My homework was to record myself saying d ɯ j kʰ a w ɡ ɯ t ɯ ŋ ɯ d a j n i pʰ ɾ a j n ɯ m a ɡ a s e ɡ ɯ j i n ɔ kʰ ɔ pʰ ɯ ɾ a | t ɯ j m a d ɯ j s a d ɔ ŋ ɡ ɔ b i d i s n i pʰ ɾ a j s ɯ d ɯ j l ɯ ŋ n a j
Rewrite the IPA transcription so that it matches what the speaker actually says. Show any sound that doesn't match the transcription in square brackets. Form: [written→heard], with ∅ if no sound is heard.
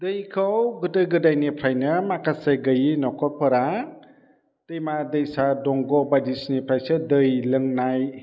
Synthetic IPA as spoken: d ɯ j kʰ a w ɡ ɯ t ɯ [ŋ→ɡ] ɯ d a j n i pʰ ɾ a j n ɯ m a [ɡ→k] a s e ɡ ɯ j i n ɔ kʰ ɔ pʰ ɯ ɾ a | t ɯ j m a d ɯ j s a d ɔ ŋ ɡ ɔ b [i→a] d i s n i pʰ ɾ a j s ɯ d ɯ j l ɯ ŋ n a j

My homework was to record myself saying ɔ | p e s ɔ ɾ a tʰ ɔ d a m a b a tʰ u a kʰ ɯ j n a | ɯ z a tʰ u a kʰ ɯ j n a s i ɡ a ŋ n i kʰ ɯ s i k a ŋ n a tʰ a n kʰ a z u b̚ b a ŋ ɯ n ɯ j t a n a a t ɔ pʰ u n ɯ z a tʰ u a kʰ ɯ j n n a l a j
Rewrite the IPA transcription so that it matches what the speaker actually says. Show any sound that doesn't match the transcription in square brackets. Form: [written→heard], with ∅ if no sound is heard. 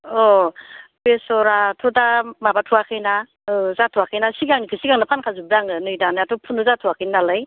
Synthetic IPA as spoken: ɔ | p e s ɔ ɾ a tʰ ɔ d a m a b a tʰ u a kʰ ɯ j n a | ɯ z a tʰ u a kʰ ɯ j n a s i ɡ a ŋ n i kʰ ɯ s i [k→ɡ] a ŋ n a [tʰ→pʰ] a n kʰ a z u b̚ [b→d] a ŋ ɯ n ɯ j [t→d] a n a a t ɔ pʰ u n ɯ z a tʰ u a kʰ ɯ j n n a l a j

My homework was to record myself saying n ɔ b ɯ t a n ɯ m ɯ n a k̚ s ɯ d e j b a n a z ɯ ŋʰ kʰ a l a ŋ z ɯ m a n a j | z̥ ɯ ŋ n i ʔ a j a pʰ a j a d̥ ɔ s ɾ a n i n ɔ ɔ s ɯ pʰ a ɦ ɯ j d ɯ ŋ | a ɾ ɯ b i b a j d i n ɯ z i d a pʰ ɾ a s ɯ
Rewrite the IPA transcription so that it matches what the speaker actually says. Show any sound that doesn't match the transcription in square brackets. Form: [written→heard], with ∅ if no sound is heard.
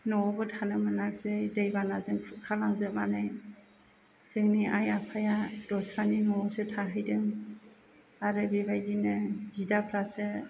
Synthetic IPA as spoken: n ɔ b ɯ [t→tʰ] a n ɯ m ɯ n a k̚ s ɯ d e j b a n a z ɯ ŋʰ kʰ a l a ŋ z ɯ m a n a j | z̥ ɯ ŋ n i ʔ a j a pʰ a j a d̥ ɔ s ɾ a n i n ɔ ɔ s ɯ [pʰ→tʰ] a ɦ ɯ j d ɯ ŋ | a ɾ ɯ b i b a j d i n ɯ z i d a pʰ ɾ a s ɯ

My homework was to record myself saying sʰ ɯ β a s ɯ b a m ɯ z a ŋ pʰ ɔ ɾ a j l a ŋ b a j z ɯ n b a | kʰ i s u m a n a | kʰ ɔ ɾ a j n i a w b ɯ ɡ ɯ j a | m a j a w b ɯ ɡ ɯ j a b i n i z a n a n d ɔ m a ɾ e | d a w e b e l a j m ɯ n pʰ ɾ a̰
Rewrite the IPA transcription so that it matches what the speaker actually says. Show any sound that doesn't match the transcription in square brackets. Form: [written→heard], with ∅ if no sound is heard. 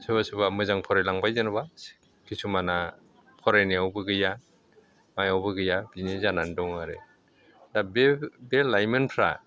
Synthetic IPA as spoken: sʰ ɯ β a s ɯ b a m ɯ z a ŋ pʰ ɔ ɾ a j l a ŋ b a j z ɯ n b a | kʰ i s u m a n a | [kʰ→pʰ] ɔ ɾ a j n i a w b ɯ ɡ ɯ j a | m a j a w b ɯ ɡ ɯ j a b i n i z a n a n d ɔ [m→ŋ] a ɾ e | d a [w→b] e b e l a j m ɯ n pʰ ɾ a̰

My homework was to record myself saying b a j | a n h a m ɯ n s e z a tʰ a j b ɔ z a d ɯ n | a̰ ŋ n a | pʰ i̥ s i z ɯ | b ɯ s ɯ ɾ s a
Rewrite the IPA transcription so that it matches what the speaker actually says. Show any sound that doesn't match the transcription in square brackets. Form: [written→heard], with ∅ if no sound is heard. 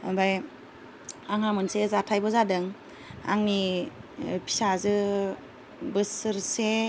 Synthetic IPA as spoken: b a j | a [n→ŋ] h a m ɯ n s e z a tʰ a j b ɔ z a d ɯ [n→ŋ] | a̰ ŋ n [a→i] | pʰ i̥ s [i→a] z ɯ | b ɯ s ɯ ɾ s [a→e]

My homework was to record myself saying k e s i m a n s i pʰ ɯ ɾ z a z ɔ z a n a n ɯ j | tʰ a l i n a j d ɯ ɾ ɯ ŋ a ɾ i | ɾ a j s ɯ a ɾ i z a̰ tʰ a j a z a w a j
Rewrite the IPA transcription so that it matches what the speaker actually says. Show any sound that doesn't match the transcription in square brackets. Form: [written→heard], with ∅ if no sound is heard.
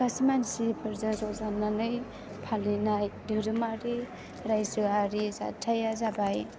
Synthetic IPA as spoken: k [e→a] s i m a n s i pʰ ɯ ɾ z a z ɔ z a n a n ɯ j | [tʰ→pʰ] a l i n a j d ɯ ɾ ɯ [ŋ→m] a ɾ i | ɾ a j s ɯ a ɾ i z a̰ tʰ a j a z a [w→b] a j

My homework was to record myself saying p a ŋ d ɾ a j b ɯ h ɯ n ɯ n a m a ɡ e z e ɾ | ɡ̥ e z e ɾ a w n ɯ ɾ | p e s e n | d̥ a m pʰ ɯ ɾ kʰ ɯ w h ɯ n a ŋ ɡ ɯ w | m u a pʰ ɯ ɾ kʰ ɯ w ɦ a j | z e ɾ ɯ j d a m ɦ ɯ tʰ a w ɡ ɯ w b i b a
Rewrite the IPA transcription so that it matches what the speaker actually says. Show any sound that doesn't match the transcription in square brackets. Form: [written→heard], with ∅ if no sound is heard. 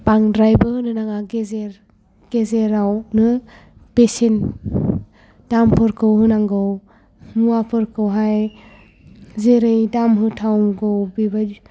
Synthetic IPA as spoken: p a ŋ d ɾ a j b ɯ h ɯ n ɯ n a [m→ŋ] a ɡ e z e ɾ | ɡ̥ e z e ɾ a w n ɯ [ɾ→∅] | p e s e n | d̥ a m pʰ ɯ ɾ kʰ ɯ w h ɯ n a ŋ ɡ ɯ w | m u a pʰ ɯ ɾ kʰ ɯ w ɦ a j | z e ɾ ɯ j d a m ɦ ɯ tʰ a w ɡ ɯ w b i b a

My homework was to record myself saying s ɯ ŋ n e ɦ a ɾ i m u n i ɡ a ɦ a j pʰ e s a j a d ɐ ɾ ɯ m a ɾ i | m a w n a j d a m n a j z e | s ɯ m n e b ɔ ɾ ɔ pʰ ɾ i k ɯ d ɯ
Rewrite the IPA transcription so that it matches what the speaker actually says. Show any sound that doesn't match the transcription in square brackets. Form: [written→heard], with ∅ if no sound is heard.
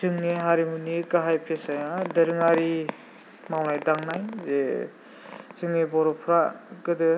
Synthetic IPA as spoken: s ɯ ŋ n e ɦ a ɾ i m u n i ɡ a ɦ a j pʰ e s a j a d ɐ ɾ ɯ [m→ŋ] a ɾ i | m a w n a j d a [m→ŋ] n a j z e | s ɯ [m→ŋ] n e b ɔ ɾ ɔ pʰ ɾ [i→a] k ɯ d ɯ

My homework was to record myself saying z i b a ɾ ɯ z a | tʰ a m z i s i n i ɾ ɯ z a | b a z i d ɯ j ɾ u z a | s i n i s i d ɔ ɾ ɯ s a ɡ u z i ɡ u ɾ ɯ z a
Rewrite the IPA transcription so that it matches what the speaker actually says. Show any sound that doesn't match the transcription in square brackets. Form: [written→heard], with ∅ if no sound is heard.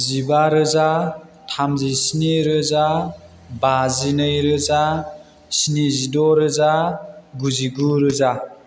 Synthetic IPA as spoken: z i b a ɾ ɯ z a | tʰ a m z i s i n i ɾ ɯ z a | b a z i [d→n] ɯ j ɾ [u→ɯ] z a | s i n i [s→z] i d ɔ ɾ ɯ [s→z] a ɡ u z i ɡ u ɾ ɯ z a

